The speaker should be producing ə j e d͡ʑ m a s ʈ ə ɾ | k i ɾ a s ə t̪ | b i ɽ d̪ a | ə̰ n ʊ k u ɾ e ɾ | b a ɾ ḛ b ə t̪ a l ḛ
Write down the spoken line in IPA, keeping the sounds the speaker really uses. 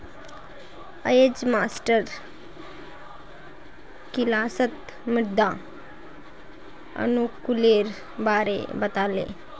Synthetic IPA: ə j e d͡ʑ m a s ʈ ə ɾ | k i l a s ə t̪ | m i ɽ d̪ a | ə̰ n u k u l e ɾ | b a ɾ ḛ b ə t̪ a l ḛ